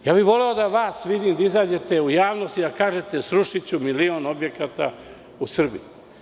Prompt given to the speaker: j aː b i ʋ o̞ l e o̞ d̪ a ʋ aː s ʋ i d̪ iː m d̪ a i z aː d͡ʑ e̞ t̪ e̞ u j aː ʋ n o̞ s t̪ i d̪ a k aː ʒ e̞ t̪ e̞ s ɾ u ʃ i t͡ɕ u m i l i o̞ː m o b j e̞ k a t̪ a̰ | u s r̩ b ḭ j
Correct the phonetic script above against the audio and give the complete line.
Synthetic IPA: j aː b i ʋ o̞ l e o̞ d̪ a ʋ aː s ʋ i d̪ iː m d̪ a i z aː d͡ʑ e̞ t̪ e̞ u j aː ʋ n o̞ s t̪ i d̪ a k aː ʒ e̞ t̪ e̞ s ɾ u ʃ i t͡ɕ u m i l i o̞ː n o b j e̞ k a t̪ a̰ | u s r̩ b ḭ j

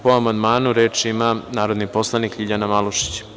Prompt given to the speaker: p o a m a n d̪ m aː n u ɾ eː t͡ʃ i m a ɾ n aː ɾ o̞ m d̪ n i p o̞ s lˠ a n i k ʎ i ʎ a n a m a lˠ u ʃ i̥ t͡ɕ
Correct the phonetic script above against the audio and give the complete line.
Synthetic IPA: p o a m a n d̪ m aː n u ɾ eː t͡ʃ i m a n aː ɾ o̞ d̪ n i p o̞ s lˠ a n i k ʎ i ʎ a n a m a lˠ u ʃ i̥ t͡ɕ

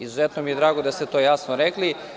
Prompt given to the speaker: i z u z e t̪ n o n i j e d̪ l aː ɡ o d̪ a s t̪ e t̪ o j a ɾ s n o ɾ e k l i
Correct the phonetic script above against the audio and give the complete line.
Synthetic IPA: i z u z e t̪ n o m i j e d̪ ɾ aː ɡ o d̪ a s t̪ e t̪ o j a s n o ɾ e k l i

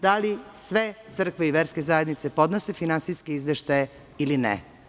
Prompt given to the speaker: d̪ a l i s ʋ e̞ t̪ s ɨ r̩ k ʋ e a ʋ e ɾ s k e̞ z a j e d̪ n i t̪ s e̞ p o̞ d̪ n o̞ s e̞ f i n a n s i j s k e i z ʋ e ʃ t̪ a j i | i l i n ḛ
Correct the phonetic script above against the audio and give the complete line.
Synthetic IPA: d̪ a l i s ʋ e̞ t̪ s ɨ r̩ k ʋ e i ʋ e ɾ s k e̞ z a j e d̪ n i t̪ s e̞ p o̞ d̪ n o̞ s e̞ f i n a n s i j s k e i z ʋ e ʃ t̪ a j e | i l i n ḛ

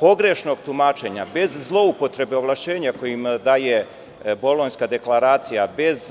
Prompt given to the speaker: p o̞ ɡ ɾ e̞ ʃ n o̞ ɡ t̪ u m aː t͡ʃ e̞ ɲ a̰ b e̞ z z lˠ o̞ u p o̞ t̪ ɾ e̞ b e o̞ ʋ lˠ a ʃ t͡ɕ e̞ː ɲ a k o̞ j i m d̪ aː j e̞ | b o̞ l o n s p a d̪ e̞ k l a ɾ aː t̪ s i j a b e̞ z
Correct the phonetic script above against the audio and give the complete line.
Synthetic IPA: p o̞ ɡ ɾ e̞ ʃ n o̞ ɡ t̪ u m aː t͡ʃ e̞ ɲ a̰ b e̞ z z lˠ o̞ u p o̞ t̪ ɾ e̞ b e o̞ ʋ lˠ a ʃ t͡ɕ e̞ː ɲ a k o̞ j i m d̪ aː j e̞ | b o̞ l o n s k a d̪ e̞ k l a ɾ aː t̪ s i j a b e̞ z

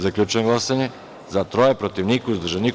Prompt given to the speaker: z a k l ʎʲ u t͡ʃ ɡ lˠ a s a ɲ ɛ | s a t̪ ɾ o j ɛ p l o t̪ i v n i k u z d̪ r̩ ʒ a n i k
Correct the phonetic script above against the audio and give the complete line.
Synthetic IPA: z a k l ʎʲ u t͡ʃ ɡ lˠ a s a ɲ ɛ | z a t̪ ɾ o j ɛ p ɾ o t̪ i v n i k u z d̪ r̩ ʒ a n i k

